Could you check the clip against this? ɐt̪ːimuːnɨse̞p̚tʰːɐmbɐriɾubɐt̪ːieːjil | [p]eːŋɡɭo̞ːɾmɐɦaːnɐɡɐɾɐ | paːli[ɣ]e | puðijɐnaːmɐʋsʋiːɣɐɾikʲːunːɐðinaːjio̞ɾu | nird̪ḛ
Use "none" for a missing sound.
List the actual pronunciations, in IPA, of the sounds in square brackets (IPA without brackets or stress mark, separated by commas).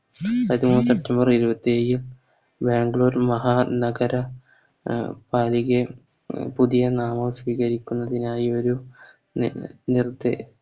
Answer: b, ɣ